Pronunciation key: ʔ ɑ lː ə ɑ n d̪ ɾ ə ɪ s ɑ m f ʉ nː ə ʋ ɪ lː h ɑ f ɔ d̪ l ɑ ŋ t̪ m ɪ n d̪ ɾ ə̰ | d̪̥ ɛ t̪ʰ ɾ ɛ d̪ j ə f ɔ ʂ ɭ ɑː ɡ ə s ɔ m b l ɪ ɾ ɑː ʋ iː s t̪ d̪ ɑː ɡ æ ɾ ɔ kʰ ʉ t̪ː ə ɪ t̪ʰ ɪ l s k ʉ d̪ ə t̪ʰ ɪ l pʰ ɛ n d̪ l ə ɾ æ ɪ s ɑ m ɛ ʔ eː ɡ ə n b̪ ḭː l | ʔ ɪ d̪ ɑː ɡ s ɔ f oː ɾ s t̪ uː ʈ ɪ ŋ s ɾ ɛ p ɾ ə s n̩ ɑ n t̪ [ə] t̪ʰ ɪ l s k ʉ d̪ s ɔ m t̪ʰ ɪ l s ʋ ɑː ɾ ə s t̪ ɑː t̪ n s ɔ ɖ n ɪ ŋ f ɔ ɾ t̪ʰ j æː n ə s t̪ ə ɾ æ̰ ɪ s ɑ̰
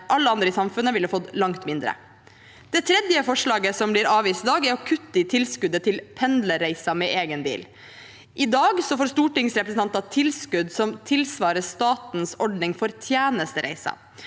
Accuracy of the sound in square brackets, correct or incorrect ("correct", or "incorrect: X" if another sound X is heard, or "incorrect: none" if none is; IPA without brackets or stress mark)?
incorrect: ɑ